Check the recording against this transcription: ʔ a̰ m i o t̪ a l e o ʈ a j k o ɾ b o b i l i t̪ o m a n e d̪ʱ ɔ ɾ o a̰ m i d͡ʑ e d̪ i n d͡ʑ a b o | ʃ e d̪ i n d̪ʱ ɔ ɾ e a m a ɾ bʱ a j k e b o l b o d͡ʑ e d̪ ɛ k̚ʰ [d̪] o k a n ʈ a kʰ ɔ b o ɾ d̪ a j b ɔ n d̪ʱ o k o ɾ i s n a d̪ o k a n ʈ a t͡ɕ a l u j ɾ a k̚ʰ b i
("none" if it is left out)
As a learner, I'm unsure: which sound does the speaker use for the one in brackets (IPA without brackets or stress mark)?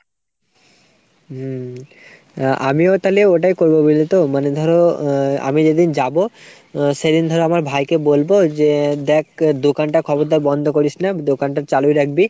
d̪